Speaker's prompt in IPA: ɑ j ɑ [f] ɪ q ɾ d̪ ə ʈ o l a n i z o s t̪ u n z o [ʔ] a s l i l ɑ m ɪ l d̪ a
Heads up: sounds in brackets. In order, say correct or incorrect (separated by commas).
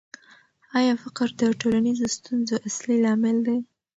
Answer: correct, correct